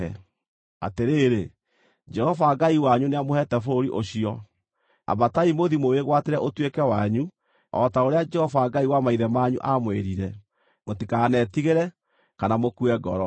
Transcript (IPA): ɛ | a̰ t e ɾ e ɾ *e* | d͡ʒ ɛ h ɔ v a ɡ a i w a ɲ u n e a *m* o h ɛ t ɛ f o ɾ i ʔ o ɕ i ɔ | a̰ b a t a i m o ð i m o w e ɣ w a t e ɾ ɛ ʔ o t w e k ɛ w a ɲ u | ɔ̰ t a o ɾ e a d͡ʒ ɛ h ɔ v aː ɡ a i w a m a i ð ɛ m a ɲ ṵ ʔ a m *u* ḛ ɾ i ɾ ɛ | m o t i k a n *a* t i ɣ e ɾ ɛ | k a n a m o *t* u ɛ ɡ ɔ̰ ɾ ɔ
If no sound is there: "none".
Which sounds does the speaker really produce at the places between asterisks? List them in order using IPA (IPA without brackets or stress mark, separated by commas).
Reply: e, m, w, ɛ, k